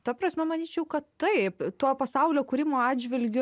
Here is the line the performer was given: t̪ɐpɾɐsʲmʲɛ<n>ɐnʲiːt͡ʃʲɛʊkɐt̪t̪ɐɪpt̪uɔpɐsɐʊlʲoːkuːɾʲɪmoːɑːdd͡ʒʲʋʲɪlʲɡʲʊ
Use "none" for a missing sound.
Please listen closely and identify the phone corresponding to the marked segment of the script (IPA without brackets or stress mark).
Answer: m